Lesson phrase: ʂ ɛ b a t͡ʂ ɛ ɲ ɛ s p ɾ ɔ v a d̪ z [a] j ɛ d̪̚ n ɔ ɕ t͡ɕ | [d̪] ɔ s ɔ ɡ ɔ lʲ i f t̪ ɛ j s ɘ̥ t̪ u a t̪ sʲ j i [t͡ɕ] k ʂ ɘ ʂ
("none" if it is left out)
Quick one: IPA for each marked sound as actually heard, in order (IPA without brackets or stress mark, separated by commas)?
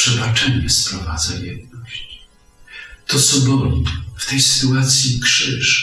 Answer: a, t̪, none